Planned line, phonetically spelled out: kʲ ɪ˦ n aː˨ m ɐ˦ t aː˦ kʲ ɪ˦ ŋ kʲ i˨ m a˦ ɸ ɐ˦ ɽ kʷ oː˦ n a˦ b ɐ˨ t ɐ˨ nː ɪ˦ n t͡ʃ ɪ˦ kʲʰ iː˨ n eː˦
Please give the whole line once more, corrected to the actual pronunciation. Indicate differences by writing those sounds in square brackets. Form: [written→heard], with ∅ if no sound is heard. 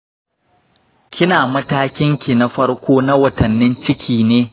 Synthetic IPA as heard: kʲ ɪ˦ n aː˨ m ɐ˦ t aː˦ kʲ ɪ˦ ŋ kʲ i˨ [m→n] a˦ ɸ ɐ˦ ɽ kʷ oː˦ n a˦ [b→w] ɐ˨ t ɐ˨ nː ɪ˦ n t͡ʃ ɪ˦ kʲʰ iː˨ n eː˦